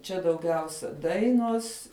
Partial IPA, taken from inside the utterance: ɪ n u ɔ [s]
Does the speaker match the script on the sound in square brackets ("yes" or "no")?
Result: yes